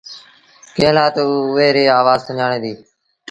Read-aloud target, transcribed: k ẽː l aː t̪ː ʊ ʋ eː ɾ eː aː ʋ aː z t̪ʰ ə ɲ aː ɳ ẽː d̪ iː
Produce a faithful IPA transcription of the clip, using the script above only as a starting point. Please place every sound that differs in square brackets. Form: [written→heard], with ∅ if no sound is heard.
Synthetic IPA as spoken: k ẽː l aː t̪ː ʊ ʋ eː ɾ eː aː ʋ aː z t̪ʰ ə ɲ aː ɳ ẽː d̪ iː